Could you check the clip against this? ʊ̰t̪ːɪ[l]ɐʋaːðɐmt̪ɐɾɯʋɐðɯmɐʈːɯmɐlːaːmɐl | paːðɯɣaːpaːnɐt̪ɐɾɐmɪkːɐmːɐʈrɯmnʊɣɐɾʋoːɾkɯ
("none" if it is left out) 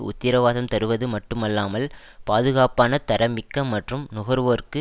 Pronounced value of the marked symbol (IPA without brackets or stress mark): ɾ